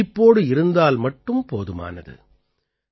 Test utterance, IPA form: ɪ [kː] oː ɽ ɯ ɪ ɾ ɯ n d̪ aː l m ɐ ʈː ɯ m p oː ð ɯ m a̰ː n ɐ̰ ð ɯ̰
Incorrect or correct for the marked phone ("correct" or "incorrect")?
incorrect